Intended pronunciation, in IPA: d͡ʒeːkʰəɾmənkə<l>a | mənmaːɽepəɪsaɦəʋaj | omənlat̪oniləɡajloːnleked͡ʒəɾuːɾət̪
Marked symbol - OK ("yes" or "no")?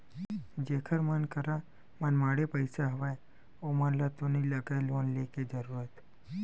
no